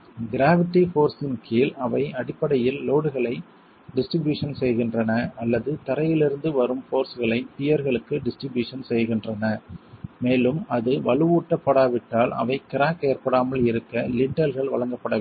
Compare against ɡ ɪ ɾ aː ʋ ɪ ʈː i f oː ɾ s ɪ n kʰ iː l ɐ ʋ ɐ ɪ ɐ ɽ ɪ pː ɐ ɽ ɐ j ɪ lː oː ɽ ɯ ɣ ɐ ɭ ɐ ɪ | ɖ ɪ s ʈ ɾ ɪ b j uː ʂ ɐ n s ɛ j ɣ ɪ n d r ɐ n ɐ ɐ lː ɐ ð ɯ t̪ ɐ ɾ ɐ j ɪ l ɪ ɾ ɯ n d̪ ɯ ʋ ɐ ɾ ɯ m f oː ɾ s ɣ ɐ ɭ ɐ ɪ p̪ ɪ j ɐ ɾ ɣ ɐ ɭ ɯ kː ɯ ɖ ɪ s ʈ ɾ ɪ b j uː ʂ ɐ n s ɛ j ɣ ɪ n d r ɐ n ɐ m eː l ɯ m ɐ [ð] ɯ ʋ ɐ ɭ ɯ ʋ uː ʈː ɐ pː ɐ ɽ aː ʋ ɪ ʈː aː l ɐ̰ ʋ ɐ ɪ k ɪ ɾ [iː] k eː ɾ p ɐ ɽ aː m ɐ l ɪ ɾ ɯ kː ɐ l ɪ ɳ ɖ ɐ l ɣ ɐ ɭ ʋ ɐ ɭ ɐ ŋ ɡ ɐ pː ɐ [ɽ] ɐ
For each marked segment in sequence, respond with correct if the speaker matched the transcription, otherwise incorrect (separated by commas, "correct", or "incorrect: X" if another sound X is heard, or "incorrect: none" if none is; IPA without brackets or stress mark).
correct, incorrect: aː, correct